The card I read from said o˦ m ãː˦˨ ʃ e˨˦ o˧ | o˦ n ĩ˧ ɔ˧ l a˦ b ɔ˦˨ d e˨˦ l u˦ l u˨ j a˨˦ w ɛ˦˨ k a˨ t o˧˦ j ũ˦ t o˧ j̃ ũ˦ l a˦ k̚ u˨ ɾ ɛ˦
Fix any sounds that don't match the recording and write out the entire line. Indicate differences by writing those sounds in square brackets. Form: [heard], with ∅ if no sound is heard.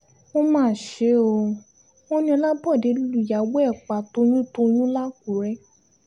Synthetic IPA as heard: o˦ m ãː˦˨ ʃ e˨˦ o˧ | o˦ n ĩ˧ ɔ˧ l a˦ b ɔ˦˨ d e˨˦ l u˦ l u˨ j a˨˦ w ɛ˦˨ [k͡p] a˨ t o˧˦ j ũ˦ t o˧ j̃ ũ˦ l a˦ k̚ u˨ ɾ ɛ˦